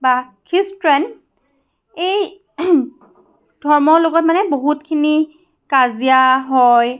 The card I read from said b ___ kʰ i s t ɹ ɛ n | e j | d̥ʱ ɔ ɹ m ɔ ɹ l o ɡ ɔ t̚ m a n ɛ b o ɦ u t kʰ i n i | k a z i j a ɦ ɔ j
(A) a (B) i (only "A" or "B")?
A